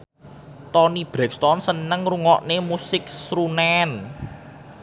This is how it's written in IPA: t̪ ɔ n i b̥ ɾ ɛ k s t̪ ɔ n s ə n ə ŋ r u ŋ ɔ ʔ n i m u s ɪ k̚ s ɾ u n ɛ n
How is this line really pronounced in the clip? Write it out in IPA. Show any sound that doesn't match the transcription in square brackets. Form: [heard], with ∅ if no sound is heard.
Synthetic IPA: t̪ ɔ n i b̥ ɾ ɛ k s t̪ ɔ n s ə n ə ŋ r u ŋ ɔ ʔ n [e] m u s ɪ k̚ s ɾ u n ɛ n

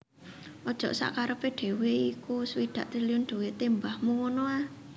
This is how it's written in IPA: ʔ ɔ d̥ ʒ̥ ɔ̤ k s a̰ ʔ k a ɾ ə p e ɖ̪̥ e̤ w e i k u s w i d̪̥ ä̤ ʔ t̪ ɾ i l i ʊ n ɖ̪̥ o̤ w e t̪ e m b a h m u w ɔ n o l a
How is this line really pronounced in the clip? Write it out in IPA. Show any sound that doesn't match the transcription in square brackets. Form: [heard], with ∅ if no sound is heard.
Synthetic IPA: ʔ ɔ d̥ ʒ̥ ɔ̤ [ʔ] s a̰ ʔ k a ɾ ə p e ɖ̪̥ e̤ w e i k u s w i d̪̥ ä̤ ʔ t̪ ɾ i l i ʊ n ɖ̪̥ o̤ w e t̪ e m b a h m u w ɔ n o [∅] a

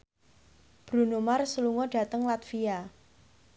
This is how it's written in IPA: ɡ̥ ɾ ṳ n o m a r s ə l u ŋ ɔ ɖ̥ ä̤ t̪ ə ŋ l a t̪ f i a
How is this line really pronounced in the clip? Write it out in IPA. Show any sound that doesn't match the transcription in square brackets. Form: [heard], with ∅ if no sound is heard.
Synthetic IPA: [b̥] ɾ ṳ n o m a r s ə l u ŋ ɔ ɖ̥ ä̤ t̪ ə ŋ l a t̪ f i a

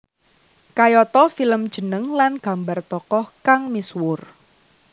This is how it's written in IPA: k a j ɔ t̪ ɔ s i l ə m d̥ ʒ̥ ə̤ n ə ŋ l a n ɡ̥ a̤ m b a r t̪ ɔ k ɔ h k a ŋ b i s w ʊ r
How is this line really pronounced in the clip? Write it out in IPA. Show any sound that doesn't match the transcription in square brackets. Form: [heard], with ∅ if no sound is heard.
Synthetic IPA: k a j ɔ t̪ ɔ [f] i l ə m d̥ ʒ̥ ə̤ n ə ŋ l a n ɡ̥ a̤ m b a r t̪ ɔ k ɔ h k a ŋ [m] i s w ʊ r

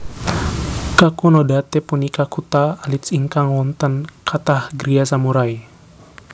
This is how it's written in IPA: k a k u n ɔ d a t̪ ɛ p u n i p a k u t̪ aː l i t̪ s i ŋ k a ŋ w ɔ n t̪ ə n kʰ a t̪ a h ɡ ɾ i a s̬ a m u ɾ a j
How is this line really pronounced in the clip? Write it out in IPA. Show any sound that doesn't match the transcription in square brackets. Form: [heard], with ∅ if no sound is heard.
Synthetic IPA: k a k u n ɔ d a t̪ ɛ p u n i [k] a k u t̪ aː l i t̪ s i ŋ k a ŋ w ɔ n t̪ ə n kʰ a t̪ a h ɡ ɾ i a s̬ a m u ɾ a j

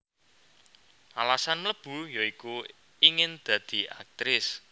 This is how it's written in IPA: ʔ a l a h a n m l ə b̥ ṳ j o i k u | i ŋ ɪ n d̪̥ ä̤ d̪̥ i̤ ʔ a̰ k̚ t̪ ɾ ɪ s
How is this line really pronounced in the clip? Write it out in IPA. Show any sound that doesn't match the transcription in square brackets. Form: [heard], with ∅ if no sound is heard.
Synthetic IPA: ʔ a l a [s] a n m l ə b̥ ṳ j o i k u | i ŋ ɪ n d̪̥ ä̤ d̪̥ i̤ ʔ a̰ k̚ t̪ ɾ ɪ s

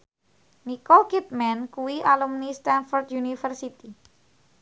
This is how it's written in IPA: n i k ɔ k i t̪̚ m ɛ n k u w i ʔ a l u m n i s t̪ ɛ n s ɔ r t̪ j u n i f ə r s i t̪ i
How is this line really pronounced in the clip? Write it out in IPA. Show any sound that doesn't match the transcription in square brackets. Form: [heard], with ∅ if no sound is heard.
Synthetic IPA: n i k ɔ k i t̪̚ m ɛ n k u w i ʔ a l u m n i s t̪ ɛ n [f] ɔ r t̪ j u n i f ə r s i t̪ i

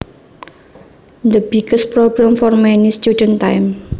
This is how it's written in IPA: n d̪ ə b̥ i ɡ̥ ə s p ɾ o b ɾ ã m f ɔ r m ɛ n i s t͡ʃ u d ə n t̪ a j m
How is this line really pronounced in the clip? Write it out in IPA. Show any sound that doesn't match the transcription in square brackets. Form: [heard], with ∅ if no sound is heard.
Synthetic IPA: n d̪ ə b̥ i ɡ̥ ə s p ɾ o b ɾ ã m f ɔ r m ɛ n i s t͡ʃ u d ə n t̪ a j m

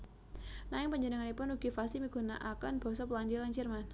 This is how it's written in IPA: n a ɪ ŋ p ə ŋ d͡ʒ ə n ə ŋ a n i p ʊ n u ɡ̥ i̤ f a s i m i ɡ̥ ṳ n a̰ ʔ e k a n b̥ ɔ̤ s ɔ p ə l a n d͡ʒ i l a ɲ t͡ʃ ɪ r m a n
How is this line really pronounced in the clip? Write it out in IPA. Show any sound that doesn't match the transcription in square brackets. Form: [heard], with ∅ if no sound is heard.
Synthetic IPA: n a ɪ ŋ p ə [ɲ] d͡ʒ ə n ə ŋ a n i p ʊ n u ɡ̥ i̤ f a s i m i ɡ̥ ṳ n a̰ ʔ [a] k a n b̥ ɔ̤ s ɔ p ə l a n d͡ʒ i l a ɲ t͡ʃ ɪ r m a n

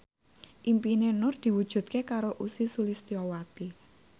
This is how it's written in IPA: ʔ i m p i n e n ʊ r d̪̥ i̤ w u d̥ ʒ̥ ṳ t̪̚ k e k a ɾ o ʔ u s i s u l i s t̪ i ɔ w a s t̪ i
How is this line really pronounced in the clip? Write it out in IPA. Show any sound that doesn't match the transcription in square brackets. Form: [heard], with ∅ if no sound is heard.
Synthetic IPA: ʔ i m p i n e n ʊ r d̪̥ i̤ w u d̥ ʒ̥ ṳ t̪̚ k e k a ɾ o ʔ u s i s u l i s t̪ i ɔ w a [∅] t̪ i

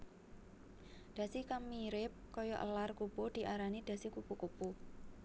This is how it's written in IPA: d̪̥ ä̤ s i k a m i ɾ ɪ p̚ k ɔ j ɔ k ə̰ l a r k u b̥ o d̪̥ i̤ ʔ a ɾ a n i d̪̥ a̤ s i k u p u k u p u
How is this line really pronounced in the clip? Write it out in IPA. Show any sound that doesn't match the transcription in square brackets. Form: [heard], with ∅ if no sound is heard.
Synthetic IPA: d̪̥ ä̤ s i k a m i ɾ ɪ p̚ k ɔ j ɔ [ʔ] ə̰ l a r k u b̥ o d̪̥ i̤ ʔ a ɾ a n i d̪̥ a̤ s i k u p u k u p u

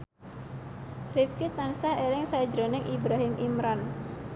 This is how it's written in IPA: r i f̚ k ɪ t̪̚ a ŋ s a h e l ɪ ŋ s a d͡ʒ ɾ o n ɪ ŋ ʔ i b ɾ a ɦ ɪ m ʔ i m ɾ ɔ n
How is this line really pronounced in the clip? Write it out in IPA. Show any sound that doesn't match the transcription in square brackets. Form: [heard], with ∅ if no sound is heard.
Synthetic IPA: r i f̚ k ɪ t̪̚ a [n] s a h e l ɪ ŋ s a d͡ʒ ɾ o n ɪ ŋ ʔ i b ɾ a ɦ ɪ m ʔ i m ɾ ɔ n

